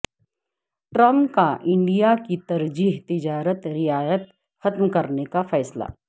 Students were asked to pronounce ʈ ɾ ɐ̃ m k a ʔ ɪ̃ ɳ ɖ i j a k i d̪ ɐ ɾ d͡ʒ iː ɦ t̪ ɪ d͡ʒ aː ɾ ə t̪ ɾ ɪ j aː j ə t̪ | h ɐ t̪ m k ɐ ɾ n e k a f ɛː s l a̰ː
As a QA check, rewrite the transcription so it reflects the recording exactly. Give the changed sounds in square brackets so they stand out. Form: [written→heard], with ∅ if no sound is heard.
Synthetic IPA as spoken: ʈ ɾ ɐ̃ m k a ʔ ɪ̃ ɳ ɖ i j a k i [d̪→t̪] ɐ ɾ d͡ʒ iː ɦ t̪ ɪ d͡ʒ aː ɾ ə t̪ ɾ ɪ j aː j ə t̪ | [h→x] ɐ t̪ m k ɐ ɾ n e k a f ɛː s l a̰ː